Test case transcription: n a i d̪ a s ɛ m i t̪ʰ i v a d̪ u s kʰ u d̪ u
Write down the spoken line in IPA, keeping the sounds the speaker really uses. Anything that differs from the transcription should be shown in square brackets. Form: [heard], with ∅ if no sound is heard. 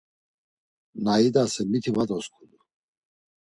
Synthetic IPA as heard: n a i d̪ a s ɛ m i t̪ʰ i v a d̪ [ɔ] s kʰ u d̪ u